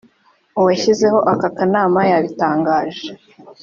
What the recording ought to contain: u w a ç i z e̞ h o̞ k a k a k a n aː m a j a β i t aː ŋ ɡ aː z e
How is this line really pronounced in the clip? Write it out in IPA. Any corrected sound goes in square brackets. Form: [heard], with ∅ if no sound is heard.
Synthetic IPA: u w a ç i z e̞ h o̞ [ʔ] a k a k a n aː m a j a β i t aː ŋ ɡ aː [ʒ] e